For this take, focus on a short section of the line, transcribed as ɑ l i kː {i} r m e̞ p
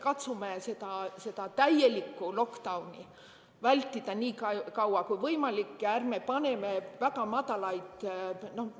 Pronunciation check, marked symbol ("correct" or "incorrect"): incorrect